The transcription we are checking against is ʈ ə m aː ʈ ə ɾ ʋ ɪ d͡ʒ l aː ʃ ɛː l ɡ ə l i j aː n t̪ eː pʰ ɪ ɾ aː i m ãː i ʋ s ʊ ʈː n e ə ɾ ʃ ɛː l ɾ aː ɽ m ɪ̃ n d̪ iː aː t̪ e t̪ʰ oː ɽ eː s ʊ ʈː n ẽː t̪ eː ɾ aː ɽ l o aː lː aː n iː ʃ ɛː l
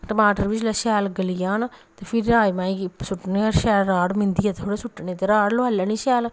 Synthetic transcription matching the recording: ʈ ə m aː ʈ ə ɾ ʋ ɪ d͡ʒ l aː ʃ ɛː l ɡ ə l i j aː n t̪ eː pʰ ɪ ɾ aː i m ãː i s ʊ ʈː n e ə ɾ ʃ ɛː l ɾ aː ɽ m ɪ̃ n d̪ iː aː t̪ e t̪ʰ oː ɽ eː s ʊ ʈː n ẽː t̪ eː ɾ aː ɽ l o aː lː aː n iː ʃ ɛː l